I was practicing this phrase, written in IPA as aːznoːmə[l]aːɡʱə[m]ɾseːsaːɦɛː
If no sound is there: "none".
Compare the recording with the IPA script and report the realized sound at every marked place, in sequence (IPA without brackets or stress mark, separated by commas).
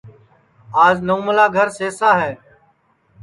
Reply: l, none